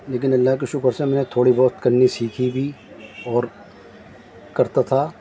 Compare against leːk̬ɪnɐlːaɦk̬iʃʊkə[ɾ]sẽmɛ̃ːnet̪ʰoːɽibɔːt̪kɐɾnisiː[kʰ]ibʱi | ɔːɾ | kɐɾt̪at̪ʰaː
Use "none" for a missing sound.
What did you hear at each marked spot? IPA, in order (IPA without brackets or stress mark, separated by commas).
ɾ, kʰ